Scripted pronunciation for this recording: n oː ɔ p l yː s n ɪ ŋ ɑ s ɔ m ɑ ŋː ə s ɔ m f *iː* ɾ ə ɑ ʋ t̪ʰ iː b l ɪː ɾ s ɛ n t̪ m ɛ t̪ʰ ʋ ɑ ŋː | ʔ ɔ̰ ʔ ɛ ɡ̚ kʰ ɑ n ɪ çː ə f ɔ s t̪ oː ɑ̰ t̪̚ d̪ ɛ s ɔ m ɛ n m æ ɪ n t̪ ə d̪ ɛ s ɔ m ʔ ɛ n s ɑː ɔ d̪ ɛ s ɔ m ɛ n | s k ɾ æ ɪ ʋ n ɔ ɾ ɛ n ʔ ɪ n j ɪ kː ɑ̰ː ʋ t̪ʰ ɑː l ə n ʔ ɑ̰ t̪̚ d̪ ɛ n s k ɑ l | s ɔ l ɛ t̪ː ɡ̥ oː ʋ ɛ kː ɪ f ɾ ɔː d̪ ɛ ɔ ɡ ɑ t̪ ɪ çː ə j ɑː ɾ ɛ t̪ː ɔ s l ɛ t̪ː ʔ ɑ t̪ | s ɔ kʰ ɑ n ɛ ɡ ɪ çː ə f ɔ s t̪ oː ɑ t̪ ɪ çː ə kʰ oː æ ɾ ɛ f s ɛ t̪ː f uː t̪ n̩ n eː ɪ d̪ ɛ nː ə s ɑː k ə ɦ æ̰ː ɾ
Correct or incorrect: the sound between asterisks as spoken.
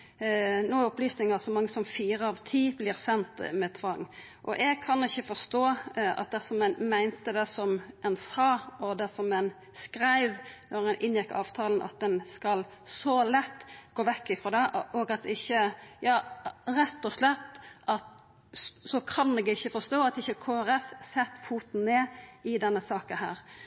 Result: correct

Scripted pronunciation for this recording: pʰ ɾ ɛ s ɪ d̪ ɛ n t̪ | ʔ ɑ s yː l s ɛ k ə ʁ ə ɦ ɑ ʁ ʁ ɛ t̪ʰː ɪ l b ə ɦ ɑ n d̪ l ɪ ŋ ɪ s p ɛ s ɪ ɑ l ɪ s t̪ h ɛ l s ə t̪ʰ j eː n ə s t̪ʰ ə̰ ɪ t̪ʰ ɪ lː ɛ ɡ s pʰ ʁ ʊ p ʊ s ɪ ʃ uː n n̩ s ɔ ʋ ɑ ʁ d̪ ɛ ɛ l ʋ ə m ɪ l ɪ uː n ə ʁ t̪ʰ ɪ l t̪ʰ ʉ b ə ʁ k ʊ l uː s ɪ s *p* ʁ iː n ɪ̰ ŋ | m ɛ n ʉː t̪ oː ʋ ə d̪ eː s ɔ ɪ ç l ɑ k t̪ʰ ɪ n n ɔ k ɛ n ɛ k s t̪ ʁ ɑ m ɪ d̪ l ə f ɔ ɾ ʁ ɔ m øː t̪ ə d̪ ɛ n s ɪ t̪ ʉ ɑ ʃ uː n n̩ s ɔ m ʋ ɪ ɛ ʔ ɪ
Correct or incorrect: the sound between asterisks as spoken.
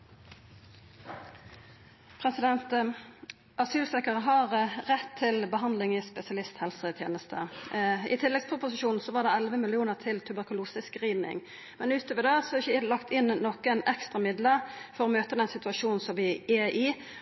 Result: incorrect: k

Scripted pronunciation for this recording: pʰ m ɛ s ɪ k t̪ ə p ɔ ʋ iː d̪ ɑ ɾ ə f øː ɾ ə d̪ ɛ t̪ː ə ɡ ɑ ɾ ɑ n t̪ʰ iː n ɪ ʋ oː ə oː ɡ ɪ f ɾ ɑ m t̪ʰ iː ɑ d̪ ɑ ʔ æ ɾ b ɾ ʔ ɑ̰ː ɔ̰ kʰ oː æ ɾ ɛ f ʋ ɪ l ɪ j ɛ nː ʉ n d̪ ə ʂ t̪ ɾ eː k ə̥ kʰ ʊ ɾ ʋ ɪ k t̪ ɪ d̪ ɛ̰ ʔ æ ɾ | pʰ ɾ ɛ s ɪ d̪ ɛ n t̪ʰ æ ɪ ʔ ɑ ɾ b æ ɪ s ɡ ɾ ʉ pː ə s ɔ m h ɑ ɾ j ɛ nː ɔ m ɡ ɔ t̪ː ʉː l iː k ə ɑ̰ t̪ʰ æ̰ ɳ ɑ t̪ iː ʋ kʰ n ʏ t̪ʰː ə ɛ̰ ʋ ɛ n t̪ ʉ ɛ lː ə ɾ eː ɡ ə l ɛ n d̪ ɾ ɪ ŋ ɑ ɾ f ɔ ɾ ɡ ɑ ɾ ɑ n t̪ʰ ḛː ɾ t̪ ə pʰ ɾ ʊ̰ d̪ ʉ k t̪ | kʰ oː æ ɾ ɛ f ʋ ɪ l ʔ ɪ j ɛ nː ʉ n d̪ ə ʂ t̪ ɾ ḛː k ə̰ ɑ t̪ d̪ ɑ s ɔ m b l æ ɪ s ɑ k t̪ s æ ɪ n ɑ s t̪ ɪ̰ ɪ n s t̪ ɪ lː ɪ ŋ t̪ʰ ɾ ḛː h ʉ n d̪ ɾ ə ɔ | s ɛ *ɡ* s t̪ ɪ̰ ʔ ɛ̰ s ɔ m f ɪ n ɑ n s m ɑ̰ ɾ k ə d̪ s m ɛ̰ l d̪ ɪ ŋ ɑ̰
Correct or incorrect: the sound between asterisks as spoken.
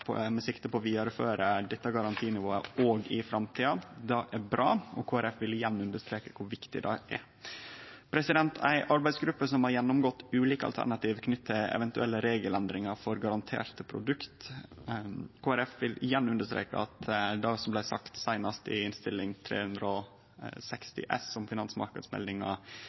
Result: incorrect: k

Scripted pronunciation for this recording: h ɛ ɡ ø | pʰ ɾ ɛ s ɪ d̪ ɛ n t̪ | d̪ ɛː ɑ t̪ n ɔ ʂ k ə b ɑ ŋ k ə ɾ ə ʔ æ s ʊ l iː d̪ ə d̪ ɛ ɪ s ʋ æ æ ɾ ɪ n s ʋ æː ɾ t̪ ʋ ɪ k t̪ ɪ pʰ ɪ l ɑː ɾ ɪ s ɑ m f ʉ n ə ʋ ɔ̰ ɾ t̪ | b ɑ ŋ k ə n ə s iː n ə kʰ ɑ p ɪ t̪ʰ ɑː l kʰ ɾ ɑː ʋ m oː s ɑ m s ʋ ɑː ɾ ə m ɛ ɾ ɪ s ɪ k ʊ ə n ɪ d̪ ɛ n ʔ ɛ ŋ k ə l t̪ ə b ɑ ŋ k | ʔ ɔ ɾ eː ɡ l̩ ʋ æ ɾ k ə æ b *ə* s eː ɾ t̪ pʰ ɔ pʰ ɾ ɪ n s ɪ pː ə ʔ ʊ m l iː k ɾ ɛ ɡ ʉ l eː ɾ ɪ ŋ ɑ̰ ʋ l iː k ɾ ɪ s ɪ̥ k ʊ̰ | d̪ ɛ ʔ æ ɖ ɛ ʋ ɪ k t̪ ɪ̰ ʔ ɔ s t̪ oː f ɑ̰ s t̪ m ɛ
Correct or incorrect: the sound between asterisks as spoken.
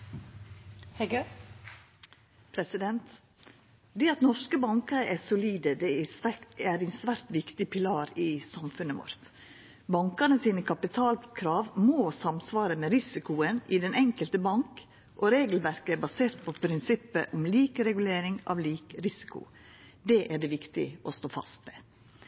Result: incorrect: ɑ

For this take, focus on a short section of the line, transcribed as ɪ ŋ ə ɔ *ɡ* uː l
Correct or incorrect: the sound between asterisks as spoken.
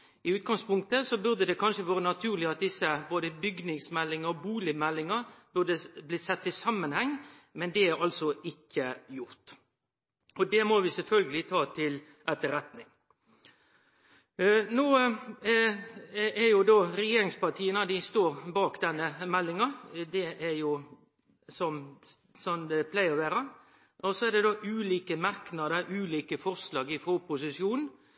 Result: incorrect: b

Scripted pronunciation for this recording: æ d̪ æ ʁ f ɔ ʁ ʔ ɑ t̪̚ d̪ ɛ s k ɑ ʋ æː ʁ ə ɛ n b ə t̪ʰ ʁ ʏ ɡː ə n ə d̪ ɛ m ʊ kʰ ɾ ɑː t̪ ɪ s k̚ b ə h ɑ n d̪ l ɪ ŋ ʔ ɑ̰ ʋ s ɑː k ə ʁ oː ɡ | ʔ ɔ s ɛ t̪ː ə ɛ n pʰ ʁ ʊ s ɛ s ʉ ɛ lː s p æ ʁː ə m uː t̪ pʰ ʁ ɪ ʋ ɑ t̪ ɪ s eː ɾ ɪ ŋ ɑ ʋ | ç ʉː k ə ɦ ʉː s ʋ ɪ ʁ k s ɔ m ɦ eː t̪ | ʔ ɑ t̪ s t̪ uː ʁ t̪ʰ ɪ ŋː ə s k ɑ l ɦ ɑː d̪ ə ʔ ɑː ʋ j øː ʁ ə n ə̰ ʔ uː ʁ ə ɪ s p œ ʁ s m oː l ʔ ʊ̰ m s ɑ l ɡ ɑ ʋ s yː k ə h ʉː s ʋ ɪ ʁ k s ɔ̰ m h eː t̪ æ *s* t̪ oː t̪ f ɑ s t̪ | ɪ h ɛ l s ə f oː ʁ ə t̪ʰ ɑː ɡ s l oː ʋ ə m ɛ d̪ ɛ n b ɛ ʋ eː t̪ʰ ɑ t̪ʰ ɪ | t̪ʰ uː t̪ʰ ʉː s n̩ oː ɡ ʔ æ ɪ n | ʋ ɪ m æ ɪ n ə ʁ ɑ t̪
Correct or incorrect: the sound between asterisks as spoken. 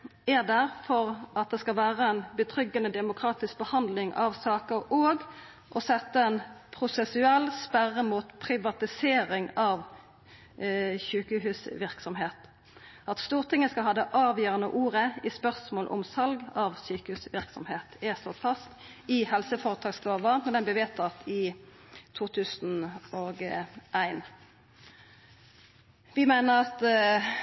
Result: correct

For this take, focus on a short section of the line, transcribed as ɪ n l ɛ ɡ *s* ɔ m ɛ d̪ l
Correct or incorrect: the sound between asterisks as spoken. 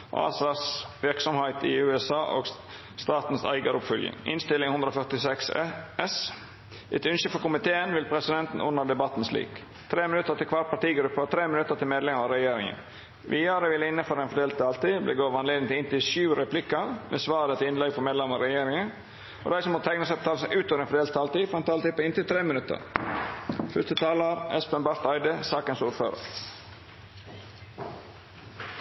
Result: incorrect: f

